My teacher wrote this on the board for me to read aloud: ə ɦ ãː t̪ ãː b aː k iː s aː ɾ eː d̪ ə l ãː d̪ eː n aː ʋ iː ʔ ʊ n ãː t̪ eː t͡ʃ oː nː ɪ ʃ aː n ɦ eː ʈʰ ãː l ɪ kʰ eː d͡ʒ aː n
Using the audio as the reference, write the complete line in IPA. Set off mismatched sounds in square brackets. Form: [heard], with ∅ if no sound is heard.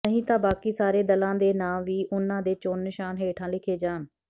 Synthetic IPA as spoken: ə ɦ [ĩː] t̪ ãː b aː k iː s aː ɾ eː d̪ ə l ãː d̪ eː n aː ʋ iː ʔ ʊ n ãː [d̪] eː t͡ʃ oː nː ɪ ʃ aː n ɦ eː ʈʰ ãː l ɪ kʰ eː d͡ʒ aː n